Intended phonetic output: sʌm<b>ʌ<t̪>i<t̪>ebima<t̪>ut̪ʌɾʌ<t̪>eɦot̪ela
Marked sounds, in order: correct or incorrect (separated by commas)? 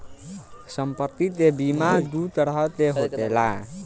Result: incorrect, correct, correct, incorrect, correct